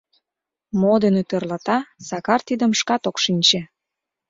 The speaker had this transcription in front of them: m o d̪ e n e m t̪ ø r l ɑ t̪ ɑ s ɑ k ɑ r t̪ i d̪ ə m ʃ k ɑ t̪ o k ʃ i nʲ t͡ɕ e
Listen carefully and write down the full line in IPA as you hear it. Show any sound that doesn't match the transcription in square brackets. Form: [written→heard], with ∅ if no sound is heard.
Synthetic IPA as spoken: m o d̪ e n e [m→∅] t̪ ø r l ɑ t̪ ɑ s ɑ k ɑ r t̪ i d̪ ə m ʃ k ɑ t̪ o k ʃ i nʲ t͡ɕ e